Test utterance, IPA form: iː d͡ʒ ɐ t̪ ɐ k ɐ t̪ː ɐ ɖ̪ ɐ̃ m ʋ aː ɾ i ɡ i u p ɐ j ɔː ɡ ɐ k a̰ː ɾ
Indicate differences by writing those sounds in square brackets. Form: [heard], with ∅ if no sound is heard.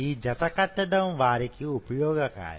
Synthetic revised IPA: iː d͡ʒ ɐ t̪ ɐ k ɐ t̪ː ɐ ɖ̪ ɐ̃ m ʋ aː ɾ i [k] i u p ɐ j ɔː ɡ ɐ k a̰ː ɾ